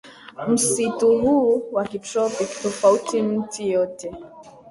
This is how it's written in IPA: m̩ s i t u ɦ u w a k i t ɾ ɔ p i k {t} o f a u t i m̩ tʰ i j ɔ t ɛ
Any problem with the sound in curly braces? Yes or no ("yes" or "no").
no